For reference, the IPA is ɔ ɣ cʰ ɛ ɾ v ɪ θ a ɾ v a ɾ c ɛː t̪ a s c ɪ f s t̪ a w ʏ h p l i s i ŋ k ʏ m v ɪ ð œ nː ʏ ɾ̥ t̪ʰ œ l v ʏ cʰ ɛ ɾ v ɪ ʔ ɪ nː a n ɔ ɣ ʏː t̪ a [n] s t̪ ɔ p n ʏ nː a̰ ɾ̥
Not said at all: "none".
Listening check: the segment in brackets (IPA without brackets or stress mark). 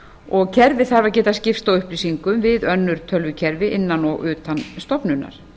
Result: n